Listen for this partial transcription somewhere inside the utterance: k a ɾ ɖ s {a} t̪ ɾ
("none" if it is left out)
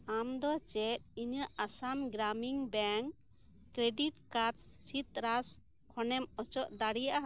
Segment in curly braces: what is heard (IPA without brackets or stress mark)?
i